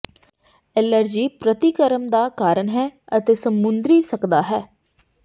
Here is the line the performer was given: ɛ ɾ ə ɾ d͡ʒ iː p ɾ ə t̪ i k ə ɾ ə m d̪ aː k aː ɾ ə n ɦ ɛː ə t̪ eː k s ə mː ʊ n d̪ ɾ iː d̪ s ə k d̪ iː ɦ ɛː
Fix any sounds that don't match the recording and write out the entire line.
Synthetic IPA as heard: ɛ l ə ɾ d͡ʒ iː p ɾ ə t̪ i k ə ɾ ə m d̪ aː k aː ɾ ə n ɦ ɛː ə t̪ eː s ə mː ʊ n d̪ ɾ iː s ə k d̪ aː ɦ ɛː